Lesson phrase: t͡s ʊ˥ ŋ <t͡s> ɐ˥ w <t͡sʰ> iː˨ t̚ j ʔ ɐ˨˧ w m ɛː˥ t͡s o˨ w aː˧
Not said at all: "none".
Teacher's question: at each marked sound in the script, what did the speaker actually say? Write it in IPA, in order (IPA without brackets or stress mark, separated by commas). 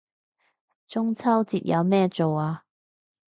t͡sʰ, t͡s